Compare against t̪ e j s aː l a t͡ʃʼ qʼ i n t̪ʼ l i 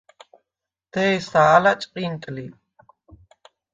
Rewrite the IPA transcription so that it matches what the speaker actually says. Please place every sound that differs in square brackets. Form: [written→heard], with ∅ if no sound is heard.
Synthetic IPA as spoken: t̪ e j s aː l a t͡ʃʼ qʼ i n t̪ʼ l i

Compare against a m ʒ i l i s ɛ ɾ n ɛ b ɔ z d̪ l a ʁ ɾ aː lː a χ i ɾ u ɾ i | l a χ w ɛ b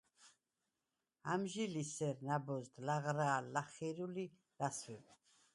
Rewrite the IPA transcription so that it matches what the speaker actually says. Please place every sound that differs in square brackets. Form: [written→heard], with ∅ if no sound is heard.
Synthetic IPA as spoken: a m ʒ i l i s ɛ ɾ n [ɛ→a] b ɔ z d̪ l a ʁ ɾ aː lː a χ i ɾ u [ɾ→l] i | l a [χ→s] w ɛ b

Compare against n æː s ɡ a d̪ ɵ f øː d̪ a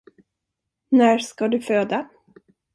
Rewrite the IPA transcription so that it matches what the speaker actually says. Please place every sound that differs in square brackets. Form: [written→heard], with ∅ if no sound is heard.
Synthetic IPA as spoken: n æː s [ɡ→k] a d̪ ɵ f øː d̪ a

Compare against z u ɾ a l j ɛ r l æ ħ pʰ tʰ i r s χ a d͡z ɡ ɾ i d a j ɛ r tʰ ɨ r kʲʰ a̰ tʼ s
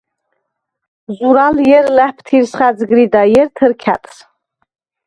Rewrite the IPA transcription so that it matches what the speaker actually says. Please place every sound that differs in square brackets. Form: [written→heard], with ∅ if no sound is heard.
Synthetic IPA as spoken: z u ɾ a l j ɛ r l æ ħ pʰ tʰ i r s χ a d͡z ɡ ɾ i d a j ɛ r tʰ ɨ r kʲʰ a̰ tʼ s

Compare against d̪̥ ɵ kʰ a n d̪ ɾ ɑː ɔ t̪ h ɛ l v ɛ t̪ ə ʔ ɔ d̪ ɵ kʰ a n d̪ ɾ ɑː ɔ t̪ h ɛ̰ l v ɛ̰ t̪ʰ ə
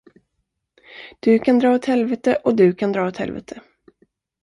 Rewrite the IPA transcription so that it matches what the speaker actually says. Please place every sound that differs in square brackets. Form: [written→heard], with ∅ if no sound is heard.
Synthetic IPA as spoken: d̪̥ ɵ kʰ a n d̪ ɾ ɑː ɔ t̪ h ɛ l v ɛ t̪ ə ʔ ɔ d̪ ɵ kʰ a n d̪ ɾ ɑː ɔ t̪ h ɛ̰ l v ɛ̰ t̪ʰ ə

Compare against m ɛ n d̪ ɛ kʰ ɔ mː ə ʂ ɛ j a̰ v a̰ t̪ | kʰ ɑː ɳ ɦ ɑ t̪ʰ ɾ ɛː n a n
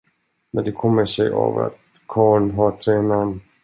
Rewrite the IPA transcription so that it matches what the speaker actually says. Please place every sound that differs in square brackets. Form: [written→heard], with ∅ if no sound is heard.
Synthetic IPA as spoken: m ɛ n d̪ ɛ kʰ ɔ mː ə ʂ ɛ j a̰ v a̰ t̪ | kʰ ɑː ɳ ɦ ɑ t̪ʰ ɾ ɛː n a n

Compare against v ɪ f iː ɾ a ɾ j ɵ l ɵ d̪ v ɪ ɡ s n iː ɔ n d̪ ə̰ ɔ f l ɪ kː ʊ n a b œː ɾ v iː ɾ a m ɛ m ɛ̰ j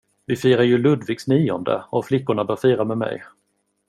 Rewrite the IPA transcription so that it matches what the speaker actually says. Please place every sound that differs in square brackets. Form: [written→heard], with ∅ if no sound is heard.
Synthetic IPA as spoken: v ɪ f iː ɾ a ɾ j ɵ l ɵ d̪ v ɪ ɡ s n iː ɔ n d̪ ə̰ ɔ f l ɪ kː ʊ [n→ɳ] a b œː ɾ [v→f] iː ɾ a m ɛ m ɛ̰ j

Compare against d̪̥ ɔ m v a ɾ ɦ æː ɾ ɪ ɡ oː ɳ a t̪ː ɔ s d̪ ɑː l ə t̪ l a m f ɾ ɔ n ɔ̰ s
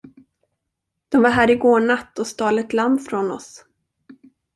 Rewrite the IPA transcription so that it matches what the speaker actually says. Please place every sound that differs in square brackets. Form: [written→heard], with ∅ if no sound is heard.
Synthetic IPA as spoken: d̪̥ ɔ m v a ɾ ɦ æː ɾ ɪ ɡ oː ɳ a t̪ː ɔ s [d̪→t̪] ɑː l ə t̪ l a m f ɾ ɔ n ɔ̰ s

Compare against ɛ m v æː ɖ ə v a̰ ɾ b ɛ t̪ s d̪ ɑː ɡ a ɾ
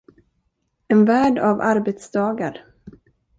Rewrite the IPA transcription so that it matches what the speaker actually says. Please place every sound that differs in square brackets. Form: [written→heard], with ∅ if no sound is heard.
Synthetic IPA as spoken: ɛ [m→n] v æː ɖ [ə→a] v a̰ ɾ b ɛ t̪ s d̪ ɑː ɡ a ɾ

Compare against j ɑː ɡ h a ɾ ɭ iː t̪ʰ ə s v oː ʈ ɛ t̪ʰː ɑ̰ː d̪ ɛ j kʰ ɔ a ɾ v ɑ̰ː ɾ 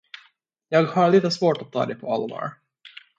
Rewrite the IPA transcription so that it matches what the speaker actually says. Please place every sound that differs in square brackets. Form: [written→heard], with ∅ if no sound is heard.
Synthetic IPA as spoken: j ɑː ɡ h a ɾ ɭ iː [t̪ʰ→t̪] ə s v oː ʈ [ɛ→a] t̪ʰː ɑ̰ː d̪ ɛ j [kʰ→pʰ] ɔ a [ɾ→l] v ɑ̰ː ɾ

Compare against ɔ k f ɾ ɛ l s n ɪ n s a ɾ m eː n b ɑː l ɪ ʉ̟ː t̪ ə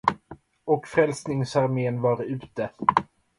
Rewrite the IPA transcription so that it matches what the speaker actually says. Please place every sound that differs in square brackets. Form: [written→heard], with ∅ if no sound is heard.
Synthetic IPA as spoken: ɔ k f ɾ ɛ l s n ɪ [n→ŋ] s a ɾ m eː n [b→v] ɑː [l→ɾ] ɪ ʉ̟ː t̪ ə

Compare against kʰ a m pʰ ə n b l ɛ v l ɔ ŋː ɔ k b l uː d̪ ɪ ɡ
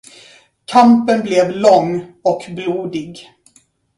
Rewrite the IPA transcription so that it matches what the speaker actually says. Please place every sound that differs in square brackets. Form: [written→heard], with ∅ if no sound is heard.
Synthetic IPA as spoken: kʰ a m [pʰ→p] ə n b l ɛ v l ɔ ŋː ɔ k b l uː d̪ ɪ ɡ

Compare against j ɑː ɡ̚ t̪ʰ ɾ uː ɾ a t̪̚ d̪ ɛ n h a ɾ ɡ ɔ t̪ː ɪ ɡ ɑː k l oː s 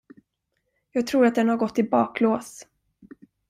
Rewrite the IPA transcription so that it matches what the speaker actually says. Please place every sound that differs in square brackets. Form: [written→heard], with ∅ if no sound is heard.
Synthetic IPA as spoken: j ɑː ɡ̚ t̪ʰ ɾ uː ɾ a t̪̚ d̪ ɛ n h a ɾ ɡ ɔ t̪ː ɪ [ɡ→b] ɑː k l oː s

